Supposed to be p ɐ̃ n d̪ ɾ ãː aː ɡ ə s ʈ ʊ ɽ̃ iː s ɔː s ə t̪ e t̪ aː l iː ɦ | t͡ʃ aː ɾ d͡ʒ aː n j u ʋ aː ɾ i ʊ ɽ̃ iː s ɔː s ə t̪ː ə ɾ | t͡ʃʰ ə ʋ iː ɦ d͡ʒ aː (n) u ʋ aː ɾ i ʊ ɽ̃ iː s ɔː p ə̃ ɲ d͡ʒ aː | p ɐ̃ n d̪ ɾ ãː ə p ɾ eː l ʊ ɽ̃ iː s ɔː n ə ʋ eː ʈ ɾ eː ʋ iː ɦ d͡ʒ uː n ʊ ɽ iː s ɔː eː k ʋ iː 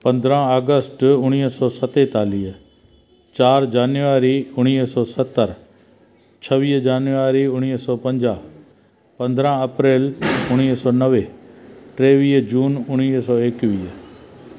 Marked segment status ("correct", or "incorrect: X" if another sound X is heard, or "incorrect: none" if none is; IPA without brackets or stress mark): correct